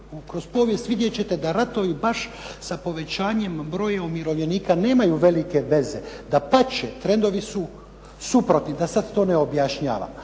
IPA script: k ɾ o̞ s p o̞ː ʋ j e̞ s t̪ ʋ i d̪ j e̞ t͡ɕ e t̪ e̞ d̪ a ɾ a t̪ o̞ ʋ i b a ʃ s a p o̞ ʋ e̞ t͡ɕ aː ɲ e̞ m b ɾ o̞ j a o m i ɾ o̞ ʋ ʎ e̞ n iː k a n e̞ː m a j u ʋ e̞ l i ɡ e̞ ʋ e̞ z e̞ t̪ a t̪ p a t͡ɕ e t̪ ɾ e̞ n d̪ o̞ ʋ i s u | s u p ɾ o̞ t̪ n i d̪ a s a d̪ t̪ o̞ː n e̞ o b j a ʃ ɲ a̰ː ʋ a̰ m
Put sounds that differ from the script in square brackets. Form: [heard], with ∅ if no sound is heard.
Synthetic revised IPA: k ɾ o̞ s p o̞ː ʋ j e̞ s t̪ ʋ i d̪ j e̞ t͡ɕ e t̪ e̞ d̪ a ɾ a t̪ o̞ ʋ i b a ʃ s a p o̞ ʋ e̞ t͡ɕ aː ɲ e̞ m b ɾ o̞ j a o m i ɾ o̞ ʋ ʎ e̞ n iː k a n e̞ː m a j u ʋ e̞ l i [k] e̞ ʋ e̞ z e̞ [d̪] a [∅] p a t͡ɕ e t̪ ɾ e̞ n d̪ o̞ ʋ i s u | s u p ɾ o̞ t̪ n i d̪ a s a d̪ t̪ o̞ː n e̞ o b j a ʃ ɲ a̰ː ʋ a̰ m